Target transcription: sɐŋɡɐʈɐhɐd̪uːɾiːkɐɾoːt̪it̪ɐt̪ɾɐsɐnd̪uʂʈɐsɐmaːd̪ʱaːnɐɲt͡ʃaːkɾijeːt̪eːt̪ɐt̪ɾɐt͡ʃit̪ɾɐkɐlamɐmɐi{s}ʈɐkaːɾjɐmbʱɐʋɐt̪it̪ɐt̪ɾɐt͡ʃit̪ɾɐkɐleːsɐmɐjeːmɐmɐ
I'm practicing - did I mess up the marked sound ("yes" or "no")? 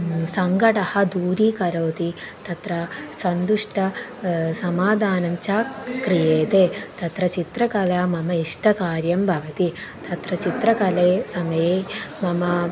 yes